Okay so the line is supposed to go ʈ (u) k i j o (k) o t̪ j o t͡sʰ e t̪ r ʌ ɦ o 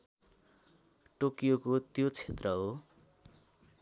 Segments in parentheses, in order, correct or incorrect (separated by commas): incorrect, correct